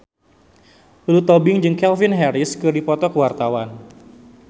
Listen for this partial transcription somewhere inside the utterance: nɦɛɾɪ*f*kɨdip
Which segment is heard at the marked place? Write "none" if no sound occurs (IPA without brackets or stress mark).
s